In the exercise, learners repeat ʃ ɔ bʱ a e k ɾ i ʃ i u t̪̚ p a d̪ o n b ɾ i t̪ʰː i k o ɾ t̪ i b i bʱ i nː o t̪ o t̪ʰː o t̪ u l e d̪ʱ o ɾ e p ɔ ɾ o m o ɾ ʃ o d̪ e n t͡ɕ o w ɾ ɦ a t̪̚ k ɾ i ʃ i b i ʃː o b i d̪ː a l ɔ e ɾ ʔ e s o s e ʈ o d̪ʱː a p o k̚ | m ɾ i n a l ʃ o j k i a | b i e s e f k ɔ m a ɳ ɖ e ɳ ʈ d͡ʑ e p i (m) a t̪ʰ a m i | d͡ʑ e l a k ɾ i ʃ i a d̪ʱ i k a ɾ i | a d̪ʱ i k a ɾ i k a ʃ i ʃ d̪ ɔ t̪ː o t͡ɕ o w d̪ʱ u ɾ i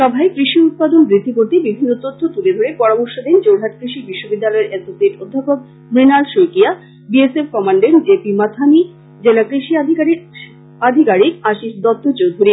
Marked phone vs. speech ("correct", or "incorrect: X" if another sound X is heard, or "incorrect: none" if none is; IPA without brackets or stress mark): correct